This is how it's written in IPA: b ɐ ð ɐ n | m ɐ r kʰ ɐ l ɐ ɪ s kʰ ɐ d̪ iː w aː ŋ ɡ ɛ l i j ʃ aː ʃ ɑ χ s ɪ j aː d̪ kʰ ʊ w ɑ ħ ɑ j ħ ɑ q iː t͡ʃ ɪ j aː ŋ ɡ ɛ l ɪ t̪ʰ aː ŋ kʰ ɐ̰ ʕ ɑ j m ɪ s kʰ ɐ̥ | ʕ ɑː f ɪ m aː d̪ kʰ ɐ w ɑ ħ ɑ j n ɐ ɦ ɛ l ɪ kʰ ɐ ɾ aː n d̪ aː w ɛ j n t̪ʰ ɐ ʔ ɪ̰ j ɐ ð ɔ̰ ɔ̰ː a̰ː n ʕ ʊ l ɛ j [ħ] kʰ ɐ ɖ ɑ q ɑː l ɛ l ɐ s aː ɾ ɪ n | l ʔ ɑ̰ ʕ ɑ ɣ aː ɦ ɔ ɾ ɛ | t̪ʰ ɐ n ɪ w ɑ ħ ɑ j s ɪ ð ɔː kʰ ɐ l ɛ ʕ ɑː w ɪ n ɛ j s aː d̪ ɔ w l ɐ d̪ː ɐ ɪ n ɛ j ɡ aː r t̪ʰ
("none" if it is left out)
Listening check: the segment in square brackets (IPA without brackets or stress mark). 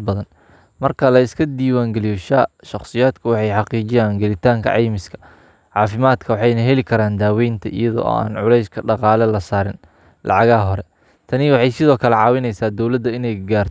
s